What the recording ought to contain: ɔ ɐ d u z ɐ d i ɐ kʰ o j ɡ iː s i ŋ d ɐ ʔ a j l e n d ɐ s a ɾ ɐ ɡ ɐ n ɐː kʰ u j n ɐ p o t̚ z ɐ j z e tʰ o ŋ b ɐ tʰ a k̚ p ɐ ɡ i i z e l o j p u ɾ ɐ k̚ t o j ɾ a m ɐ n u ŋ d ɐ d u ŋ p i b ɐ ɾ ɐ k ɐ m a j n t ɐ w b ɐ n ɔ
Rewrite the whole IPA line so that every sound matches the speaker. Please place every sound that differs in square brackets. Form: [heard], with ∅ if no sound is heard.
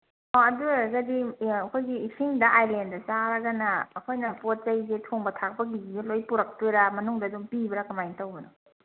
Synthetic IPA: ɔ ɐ d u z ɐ d i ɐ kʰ o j ɡ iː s i ŋ d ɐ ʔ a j l e n d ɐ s a ɾ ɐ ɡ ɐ n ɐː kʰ [o] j n ɐ p o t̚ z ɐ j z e tʰ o ŋ b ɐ tʰ a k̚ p ɐ ɡ i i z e l o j p u ɾ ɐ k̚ t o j ɾ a m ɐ n u ŋ d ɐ d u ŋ p i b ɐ ɾ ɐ k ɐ m a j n t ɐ w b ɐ n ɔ